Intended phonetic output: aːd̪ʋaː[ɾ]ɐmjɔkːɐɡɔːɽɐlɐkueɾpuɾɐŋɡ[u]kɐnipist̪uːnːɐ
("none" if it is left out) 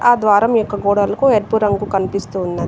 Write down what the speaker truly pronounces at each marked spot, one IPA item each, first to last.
ɾ, u

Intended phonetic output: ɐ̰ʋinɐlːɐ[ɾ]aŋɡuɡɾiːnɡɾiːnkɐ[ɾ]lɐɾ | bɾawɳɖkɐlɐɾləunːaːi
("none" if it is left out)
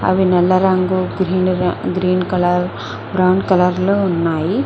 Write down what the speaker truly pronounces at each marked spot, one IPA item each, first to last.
ɾ, none

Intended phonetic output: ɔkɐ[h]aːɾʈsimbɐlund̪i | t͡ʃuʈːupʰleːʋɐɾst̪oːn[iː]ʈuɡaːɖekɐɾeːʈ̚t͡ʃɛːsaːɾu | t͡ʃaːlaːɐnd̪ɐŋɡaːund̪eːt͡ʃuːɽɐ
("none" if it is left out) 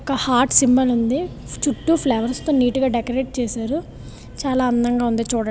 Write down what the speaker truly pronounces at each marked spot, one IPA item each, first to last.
h, iː

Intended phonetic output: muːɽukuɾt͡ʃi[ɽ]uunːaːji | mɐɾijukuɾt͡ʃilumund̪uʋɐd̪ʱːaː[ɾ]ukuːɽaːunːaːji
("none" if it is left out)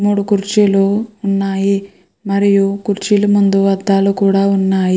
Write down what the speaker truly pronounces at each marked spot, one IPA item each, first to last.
l, l

